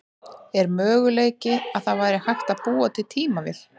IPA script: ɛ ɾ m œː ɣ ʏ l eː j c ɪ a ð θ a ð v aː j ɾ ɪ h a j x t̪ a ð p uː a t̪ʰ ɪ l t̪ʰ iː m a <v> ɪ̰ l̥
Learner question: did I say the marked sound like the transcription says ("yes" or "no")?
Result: yes